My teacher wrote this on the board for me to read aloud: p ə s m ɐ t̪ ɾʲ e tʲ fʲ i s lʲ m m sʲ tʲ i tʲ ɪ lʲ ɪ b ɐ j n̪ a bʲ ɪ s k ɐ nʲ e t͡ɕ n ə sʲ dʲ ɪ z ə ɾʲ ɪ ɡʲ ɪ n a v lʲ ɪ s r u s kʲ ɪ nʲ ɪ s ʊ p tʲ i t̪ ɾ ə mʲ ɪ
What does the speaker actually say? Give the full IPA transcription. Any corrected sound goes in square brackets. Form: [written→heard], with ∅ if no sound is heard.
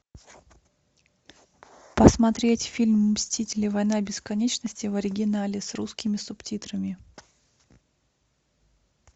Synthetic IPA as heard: p ə s m ɐ t̪ ɾʲ e tʲ fʲ i [s→∅] lʲ m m sʲ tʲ i tʲ ɪ lʲ ɪ [b→v] ɐ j n̪ a bʲ ɪ s k ɐ nʲ e t͡ɕ n ə sʲ [dʲ→tʲ] ɪ [z→v] ə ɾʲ ɪ ɡʲ ɪ n a [v→∅] lʲ ɪ s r u s kʲ ɪ [nʲ→mʲ] ɪ s ʊ p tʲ i t̪ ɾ ə mʲ ɪ